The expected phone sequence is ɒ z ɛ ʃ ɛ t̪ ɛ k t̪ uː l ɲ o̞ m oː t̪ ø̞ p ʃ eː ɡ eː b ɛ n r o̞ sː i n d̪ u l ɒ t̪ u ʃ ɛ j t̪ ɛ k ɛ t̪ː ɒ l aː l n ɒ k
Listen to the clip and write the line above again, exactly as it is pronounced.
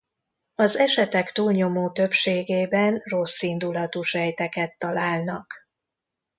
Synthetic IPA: ɒ z ɛ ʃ ɛ t̪ ɛ k t̪ uː l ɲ o̞ m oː t̪ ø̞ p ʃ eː ɡ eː b ɛ n r o̞ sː i n d̪ u l ɒ t̪ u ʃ ɛ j t̪ ɛ k ɛ t̪ː ɒ l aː l n ɒ k